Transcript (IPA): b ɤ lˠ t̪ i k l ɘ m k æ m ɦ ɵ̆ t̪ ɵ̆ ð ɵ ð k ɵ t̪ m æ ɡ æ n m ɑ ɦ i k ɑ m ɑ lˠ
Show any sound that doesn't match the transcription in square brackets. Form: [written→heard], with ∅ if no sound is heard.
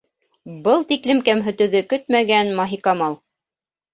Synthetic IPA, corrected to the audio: b ɤ lˠ t̪ i k l ɘ m k æ m ɦ ɵ̆ t̪ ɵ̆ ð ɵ [ð→∅] k ɵ t̪ m æ ɡ æ n m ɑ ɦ i k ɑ m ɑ lˠ